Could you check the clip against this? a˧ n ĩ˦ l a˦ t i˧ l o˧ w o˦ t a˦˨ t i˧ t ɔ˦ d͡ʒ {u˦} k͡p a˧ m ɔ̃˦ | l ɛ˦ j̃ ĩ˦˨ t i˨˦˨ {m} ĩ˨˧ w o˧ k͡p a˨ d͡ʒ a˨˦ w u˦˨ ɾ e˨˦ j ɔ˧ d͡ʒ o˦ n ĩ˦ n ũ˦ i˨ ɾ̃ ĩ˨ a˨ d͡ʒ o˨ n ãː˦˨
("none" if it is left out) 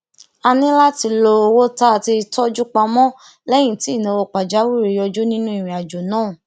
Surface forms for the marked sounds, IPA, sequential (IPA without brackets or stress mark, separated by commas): u˦, n